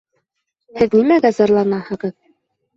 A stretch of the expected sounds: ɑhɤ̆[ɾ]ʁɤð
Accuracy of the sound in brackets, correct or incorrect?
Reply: incorrect